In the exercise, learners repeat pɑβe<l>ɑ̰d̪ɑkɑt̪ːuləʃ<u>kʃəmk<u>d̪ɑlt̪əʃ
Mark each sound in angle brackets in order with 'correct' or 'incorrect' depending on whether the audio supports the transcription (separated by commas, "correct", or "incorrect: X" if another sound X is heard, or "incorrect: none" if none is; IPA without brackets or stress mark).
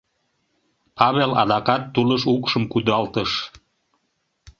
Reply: correct, correct, correct